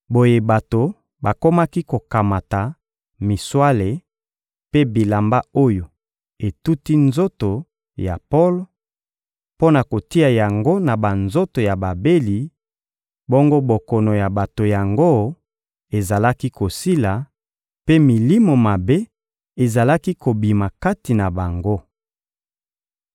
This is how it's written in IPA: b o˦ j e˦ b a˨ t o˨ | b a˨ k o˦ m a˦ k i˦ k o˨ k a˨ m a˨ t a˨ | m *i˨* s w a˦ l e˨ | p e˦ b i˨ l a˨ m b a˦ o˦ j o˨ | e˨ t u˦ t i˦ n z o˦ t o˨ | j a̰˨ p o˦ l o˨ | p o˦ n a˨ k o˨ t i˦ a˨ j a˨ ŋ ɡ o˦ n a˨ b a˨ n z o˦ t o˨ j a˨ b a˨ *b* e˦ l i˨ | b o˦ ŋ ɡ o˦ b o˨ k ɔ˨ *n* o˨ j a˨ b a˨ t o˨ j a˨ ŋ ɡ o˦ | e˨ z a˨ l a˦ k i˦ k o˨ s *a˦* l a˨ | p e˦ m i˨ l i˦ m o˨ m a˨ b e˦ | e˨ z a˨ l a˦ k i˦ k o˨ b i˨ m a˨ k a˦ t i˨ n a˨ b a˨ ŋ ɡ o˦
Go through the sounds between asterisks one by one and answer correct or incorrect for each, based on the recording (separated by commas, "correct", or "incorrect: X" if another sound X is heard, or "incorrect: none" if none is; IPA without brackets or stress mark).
correct, correct, correct, incorrect: i˦